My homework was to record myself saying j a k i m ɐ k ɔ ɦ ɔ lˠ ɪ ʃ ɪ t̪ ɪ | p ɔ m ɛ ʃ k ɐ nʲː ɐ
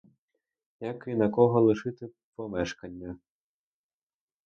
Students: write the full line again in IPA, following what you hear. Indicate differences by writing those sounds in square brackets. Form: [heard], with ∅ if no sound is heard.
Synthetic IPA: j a k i [n] ɐ k ɔ ɦ ɔ lˠ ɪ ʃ ɪ t̪ ɪ | p ɔ m ɛ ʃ k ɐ nʲː ɐ